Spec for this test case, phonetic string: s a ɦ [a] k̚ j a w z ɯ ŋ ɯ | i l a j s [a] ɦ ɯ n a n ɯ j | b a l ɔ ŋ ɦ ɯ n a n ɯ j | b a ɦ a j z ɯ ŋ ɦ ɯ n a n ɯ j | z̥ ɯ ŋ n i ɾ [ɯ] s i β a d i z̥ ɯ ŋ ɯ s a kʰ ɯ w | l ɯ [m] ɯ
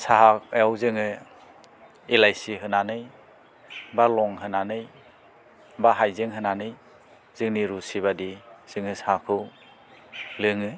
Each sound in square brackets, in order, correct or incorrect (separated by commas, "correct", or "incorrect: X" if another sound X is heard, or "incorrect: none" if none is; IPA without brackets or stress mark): correct, incorrect: i, incorrect: u, incorrect: ŋ